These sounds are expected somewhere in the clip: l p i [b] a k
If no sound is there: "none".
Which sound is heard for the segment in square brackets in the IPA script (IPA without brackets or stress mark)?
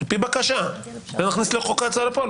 b